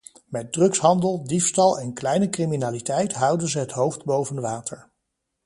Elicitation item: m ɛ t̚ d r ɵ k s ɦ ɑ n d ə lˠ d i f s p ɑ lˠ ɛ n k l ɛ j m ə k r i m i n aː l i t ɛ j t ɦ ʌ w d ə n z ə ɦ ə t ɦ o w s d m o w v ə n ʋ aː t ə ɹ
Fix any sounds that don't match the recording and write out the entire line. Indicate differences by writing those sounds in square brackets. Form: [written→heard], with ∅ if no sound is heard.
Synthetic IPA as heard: m ɛ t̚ d r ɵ k s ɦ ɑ n d ə lˠ d i f s [p→t] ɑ lˠ ɛ n k l ɛ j [m→n] ə k r i m i n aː l i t ɛ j t ɦ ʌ w d ə n z ə ɦ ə t ɦ o w [s→f] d [m→b] o w v ə n ʋ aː t ə ɹ